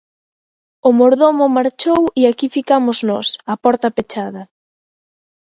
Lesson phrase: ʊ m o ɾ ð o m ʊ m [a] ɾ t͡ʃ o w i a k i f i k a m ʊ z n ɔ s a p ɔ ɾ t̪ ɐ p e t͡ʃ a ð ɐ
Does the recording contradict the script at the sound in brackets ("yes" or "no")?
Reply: no